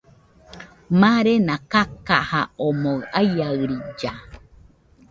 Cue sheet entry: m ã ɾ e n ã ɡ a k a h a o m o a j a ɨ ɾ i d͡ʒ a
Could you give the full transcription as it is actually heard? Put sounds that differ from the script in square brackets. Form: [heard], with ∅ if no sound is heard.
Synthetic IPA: m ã ɾ e n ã [k] a k a h a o m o a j a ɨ ɾ i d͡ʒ a